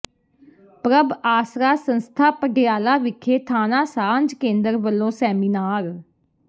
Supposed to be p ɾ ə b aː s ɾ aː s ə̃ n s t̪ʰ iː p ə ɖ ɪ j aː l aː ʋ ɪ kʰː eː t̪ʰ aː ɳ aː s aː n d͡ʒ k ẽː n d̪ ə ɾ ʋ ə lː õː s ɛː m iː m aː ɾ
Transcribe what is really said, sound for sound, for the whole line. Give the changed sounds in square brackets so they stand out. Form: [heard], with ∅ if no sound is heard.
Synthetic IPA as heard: p ɾ ə b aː s ɾ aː s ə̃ n s t̪ʰ [aː] p ə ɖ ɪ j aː l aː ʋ ɪ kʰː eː t̪ʰ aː [n] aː s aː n d͡ʒ k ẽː n d̪ ə ɾ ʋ ə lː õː s ɛː m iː [n] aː ɾ